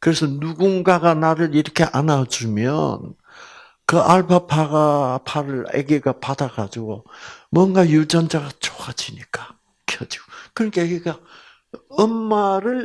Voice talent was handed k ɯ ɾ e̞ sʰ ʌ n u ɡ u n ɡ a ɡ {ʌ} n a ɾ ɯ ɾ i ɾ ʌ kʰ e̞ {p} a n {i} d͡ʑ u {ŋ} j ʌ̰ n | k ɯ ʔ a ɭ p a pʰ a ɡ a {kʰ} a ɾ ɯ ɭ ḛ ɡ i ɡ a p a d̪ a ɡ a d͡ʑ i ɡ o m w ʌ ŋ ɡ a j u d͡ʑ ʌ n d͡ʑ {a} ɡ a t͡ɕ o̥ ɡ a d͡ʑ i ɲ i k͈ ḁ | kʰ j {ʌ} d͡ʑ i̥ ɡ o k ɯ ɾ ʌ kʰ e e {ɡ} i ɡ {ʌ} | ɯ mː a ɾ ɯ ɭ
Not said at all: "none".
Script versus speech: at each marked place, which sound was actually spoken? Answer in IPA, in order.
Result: a, ʔ, a, m, pʰ, a, ʌ, ɡ, a

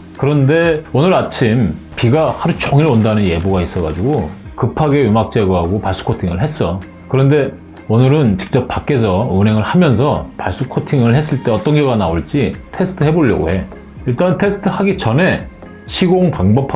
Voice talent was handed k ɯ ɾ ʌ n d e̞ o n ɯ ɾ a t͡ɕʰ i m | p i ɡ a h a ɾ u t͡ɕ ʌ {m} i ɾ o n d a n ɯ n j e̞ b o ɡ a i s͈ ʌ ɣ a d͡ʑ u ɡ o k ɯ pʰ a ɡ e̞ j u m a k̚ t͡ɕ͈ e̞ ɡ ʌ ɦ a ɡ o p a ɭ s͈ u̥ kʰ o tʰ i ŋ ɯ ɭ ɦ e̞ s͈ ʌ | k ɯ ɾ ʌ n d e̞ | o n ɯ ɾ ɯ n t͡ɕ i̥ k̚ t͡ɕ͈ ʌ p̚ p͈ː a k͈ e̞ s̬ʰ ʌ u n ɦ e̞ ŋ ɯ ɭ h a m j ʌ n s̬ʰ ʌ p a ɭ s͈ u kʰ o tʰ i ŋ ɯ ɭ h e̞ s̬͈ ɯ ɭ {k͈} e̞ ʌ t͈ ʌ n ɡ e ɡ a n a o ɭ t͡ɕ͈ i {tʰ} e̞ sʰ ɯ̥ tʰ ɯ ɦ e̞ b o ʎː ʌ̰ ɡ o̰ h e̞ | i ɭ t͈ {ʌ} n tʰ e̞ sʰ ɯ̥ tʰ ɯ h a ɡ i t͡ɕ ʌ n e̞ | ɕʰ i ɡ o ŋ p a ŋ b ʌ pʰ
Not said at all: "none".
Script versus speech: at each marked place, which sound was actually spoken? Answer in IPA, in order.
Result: ŋ, t͈, tʰ, a

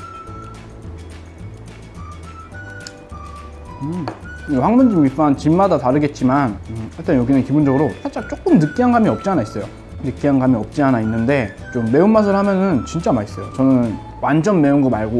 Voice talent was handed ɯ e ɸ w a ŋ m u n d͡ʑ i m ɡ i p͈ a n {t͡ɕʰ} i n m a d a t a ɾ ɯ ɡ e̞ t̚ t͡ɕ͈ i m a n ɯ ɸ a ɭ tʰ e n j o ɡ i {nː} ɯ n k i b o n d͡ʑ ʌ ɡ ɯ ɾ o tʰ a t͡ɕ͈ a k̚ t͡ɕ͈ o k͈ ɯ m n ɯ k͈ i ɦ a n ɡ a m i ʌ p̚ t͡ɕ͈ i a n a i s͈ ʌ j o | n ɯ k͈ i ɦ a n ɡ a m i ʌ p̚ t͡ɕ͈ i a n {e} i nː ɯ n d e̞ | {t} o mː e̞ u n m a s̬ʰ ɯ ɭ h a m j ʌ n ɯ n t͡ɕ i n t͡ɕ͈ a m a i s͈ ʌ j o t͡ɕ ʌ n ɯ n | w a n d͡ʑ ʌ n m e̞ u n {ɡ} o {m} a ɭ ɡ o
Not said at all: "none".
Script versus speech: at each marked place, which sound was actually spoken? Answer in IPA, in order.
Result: t͡ɕ, n, a, t͡ɕ, ɡ, m

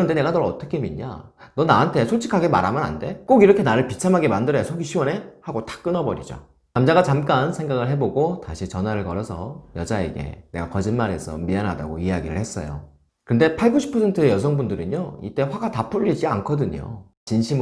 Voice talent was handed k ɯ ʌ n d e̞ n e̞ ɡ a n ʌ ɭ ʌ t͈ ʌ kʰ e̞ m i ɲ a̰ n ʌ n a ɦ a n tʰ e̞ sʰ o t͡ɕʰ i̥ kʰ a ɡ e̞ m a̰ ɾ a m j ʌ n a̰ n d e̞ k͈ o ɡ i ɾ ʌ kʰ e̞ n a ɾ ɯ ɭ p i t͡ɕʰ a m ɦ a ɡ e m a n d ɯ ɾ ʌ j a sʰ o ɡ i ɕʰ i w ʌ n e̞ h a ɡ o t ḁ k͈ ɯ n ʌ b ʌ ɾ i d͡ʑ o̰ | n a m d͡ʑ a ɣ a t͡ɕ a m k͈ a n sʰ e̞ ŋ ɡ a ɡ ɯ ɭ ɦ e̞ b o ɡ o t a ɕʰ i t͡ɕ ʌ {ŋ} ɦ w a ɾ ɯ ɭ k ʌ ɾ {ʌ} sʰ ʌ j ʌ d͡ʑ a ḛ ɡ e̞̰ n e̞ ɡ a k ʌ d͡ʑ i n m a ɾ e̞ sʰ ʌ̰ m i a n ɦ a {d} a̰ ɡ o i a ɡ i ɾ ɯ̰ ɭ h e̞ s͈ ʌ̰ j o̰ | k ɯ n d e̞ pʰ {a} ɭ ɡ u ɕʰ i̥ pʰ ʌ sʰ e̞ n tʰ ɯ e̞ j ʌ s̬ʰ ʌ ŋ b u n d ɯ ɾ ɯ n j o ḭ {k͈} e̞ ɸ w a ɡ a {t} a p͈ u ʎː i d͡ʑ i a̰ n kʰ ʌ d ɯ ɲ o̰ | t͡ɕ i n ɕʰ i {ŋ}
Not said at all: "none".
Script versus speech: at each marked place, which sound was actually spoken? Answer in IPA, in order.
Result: n, ʌ, d, a, t͈, t, m

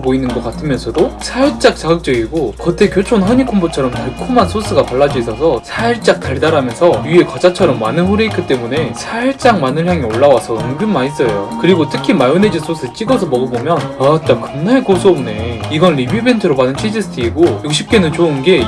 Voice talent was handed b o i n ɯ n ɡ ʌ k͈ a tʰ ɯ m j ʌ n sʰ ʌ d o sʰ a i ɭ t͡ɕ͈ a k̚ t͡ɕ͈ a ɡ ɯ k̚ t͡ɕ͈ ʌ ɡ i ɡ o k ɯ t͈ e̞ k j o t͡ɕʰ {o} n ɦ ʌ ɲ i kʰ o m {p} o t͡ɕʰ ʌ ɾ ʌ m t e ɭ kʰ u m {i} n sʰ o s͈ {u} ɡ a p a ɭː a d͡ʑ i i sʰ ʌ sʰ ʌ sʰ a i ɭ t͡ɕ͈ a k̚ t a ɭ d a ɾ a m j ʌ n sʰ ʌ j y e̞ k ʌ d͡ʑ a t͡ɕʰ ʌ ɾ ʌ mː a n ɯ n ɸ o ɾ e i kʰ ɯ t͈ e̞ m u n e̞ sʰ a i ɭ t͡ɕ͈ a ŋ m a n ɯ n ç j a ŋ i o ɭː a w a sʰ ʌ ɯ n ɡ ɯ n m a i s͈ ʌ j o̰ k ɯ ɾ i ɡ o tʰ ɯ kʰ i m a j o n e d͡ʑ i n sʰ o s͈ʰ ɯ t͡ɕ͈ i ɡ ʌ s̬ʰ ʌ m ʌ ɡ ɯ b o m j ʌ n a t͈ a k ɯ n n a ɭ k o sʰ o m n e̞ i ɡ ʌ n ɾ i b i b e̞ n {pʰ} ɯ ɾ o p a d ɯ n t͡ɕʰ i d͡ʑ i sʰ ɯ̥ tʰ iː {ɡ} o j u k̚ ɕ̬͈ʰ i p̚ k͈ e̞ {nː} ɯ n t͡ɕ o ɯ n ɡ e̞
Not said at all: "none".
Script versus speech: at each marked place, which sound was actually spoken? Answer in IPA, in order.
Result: o, b, a, ɯ, tʰ, ɡ, n

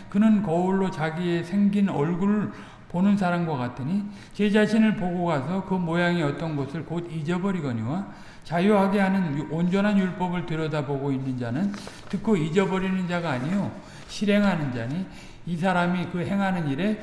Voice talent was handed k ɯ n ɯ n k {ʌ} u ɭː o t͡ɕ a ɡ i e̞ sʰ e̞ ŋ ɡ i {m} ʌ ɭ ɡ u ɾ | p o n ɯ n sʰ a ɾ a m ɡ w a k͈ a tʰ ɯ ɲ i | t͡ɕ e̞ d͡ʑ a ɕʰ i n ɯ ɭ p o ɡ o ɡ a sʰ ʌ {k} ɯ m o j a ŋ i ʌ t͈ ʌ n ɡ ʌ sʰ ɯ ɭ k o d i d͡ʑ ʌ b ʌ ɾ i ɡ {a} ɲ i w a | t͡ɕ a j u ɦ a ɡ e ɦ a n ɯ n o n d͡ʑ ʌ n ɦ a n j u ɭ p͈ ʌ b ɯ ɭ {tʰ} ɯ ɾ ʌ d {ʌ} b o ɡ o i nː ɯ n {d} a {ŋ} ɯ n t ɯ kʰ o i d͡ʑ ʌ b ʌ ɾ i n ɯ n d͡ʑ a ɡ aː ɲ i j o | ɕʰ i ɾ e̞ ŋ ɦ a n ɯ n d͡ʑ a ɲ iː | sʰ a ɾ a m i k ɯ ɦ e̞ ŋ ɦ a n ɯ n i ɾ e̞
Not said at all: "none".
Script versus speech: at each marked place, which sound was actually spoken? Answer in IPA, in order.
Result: ʌ, n, k, ʌ, t, a, d͡ʑ, n

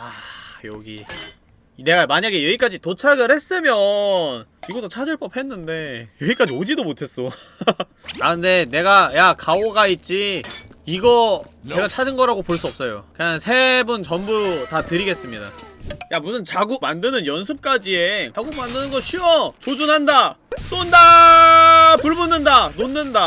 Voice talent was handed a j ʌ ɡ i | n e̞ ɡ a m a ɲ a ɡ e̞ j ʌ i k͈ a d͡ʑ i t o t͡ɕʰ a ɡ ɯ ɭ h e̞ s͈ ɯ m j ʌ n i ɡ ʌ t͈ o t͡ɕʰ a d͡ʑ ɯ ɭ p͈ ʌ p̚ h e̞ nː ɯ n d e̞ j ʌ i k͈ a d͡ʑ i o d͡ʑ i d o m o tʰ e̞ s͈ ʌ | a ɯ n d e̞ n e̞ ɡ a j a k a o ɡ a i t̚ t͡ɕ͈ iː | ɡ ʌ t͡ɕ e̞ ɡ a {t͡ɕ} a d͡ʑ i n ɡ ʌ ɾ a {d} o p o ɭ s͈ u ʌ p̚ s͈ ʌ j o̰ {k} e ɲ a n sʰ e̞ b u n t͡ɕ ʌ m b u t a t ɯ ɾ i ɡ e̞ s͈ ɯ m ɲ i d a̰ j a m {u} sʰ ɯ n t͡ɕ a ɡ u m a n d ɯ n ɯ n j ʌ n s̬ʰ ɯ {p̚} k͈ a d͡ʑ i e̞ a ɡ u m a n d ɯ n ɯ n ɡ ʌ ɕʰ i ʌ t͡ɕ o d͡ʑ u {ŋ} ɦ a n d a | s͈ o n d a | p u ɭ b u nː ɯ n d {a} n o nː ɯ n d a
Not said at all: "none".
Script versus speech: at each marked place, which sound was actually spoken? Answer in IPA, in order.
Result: t͡ɕʰ, ɡ, k, u, p̚, n, a

